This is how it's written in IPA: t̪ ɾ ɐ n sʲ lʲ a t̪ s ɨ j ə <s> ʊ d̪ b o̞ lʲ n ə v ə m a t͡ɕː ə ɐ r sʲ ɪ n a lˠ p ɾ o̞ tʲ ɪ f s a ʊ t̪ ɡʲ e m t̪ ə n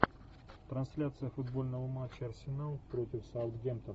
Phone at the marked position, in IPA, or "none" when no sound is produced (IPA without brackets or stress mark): f